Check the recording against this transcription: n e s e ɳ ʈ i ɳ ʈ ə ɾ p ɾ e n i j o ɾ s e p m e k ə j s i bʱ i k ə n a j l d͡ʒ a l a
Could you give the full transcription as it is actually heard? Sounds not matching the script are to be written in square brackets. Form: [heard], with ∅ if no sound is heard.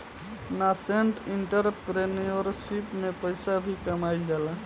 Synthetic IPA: n [a] s e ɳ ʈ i ɳ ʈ ə ɾ p ɾ e n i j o ɾ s [i] p m e [p] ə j s [a] bʱ i k ə [m] a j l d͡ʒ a l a